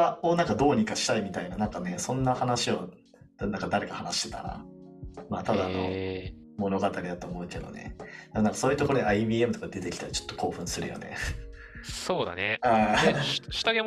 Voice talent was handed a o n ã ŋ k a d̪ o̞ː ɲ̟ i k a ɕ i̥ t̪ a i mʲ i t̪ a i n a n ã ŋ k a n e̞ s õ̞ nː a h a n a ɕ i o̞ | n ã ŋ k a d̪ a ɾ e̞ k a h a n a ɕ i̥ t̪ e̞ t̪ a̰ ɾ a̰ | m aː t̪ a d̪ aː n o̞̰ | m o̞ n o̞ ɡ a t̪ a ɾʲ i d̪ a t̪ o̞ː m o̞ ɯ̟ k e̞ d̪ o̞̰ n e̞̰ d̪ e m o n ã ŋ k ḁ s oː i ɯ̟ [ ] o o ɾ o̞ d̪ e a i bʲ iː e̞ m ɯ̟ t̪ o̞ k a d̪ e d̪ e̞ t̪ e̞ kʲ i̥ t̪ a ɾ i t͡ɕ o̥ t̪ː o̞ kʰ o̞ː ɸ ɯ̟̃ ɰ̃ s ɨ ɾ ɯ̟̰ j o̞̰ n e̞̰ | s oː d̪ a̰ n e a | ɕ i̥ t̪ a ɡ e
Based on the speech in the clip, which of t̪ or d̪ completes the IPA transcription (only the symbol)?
t̪